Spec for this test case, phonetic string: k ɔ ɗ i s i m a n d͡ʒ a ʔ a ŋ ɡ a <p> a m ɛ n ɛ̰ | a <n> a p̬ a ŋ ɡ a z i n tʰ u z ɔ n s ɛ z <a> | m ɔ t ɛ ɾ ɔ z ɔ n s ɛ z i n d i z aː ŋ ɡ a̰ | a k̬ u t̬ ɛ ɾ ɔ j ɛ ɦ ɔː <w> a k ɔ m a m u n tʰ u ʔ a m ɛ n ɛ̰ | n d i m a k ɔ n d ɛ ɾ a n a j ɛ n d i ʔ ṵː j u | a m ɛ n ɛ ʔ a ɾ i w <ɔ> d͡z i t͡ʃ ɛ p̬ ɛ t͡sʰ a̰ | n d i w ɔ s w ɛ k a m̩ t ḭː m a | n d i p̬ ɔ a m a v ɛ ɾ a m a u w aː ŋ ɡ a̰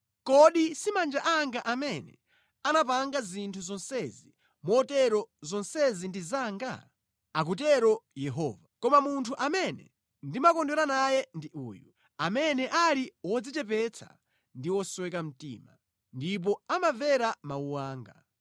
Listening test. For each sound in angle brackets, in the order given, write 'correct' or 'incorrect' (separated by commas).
incorrect, correct, incorrect, incorrect, correct